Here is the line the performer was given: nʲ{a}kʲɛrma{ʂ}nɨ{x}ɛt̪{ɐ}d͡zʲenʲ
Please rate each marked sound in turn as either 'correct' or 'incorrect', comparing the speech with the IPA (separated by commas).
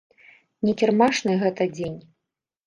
incorrect, correct, incorrect, correct